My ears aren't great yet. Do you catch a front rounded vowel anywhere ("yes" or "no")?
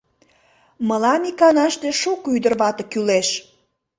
yes